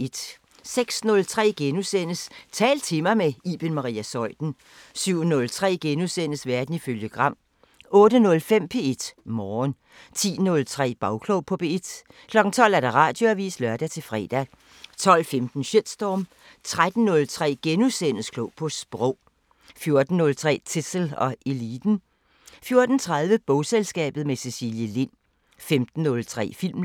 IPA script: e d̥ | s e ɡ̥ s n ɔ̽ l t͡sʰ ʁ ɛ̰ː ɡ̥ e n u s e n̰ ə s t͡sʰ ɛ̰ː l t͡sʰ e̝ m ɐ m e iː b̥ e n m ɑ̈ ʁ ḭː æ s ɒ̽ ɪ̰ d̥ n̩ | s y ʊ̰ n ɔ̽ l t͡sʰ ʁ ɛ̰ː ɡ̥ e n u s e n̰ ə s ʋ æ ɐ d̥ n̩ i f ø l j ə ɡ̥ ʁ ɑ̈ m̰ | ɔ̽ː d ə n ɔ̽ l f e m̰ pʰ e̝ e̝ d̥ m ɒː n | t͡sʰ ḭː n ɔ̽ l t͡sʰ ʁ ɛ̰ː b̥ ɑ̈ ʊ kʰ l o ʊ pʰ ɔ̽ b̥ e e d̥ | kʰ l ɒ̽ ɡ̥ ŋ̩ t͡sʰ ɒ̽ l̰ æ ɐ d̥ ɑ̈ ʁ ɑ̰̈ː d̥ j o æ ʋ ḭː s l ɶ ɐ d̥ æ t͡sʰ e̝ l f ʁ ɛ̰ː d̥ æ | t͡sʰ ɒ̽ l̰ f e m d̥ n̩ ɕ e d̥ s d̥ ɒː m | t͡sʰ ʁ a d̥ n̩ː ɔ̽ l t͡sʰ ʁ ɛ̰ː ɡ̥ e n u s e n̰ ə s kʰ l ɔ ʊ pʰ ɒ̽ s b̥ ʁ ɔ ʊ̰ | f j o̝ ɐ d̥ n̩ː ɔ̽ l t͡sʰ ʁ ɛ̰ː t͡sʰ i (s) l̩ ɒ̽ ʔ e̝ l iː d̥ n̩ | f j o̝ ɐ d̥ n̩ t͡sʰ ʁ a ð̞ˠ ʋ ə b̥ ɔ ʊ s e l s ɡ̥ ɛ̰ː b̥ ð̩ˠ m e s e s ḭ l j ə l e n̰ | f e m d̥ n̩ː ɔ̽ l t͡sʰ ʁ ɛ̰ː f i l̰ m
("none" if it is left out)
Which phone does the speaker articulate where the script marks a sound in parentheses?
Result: s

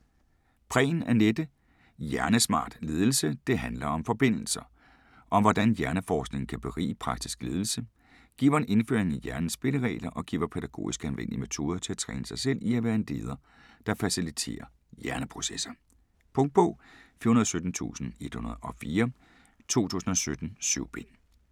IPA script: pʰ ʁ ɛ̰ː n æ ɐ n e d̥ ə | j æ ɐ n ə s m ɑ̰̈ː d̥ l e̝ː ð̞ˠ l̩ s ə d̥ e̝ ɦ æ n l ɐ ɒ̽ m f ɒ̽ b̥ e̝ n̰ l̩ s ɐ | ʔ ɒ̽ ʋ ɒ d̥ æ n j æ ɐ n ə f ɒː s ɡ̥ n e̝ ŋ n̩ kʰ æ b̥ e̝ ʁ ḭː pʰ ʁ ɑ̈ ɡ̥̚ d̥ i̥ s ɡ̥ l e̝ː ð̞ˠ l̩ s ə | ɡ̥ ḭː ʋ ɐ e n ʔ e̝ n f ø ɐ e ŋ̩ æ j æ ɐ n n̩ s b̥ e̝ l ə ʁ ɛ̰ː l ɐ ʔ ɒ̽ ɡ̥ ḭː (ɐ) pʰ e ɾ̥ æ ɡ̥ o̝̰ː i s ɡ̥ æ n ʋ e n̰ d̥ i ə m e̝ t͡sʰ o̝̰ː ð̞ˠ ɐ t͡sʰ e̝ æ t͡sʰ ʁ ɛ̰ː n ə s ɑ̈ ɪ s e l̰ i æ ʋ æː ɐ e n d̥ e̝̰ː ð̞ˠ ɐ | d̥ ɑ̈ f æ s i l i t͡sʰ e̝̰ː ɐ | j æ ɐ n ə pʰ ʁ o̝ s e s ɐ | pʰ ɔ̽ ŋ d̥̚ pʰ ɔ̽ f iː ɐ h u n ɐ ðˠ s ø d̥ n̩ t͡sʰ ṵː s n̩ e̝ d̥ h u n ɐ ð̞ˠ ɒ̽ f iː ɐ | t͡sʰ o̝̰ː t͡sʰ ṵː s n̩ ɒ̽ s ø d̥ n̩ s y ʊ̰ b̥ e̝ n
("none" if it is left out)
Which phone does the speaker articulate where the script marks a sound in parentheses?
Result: ɐ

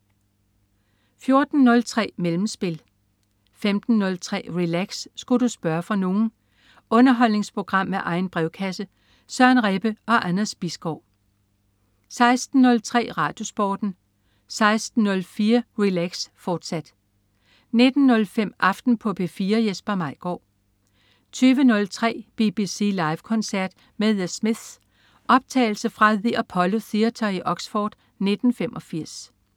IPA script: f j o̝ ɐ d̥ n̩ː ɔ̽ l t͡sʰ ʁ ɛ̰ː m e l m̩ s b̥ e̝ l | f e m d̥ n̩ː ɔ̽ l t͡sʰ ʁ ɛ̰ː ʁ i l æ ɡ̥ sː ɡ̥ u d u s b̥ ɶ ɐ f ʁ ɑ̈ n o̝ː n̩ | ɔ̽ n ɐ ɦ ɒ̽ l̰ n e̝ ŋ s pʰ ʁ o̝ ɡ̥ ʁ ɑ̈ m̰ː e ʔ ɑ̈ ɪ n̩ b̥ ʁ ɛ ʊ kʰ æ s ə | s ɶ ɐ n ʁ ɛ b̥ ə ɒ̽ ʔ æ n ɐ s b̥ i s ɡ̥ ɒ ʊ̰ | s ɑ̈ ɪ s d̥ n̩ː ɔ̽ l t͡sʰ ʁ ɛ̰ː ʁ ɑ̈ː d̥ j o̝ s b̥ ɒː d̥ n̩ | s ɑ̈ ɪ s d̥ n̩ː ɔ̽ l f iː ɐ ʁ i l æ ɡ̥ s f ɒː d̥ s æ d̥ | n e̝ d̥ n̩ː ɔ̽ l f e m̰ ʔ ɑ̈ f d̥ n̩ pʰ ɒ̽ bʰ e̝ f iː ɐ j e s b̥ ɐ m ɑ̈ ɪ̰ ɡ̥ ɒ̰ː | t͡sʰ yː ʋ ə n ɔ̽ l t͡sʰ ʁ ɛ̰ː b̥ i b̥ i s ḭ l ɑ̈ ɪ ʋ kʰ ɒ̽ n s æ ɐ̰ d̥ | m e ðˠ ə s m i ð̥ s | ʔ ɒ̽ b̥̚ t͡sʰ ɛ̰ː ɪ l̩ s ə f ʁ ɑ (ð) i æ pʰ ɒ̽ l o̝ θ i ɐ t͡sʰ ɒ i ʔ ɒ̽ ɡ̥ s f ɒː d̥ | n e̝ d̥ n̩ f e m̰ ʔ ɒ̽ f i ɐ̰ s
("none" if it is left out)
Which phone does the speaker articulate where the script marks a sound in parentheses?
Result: ð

